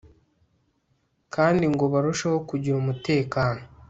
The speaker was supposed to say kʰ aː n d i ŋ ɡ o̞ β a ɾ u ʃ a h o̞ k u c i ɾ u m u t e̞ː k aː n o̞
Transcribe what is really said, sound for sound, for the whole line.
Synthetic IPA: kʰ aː n d i ŋ ɡ o̞ β a ɾ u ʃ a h o̞ k u ɟ i ɾ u m u t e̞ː k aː n o̞